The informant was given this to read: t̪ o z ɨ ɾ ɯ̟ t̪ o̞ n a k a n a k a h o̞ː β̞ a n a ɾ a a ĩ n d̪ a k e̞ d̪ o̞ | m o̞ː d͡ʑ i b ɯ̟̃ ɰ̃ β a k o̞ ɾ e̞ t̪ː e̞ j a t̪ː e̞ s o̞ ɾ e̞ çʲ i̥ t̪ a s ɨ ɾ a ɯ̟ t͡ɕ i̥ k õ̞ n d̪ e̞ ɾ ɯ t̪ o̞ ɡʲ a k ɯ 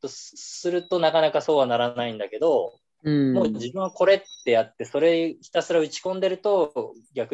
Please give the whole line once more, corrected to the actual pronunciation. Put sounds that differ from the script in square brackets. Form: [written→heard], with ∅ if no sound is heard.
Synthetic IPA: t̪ o [z→s] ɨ ɾ ɯ̟ t̪ o̞ n a k a n a k a [h→s] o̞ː β̞ a n a ɾ a a ĩ n d̪ a k e̞ d̪ o̞ | m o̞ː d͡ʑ i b ɯ̟̃ ɰ̃ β a k o̞ ɾ e̞ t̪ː e̞ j a t̪ː e̞ s o̞ ɾ e̞ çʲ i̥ t̪ a s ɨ ɾ a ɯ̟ t͡ɕ i̥ k õ̞ n d̪ e̞ ɾ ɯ t̪ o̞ ɡʲ a k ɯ